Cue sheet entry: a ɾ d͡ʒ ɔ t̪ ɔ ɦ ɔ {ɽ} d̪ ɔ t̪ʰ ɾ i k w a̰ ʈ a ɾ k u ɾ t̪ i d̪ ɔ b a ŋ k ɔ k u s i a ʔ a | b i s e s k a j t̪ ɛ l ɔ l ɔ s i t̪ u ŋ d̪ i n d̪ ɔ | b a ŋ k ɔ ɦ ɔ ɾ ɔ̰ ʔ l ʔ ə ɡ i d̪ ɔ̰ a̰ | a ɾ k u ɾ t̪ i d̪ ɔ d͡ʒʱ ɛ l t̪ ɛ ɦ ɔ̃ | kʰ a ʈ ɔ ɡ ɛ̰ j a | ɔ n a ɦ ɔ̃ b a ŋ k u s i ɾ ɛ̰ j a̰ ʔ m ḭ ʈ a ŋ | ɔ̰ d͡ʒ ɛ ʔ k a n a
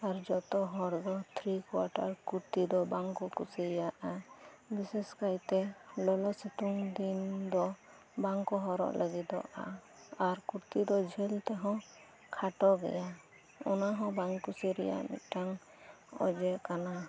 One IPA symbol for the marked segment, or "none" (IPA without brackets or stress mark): ɾ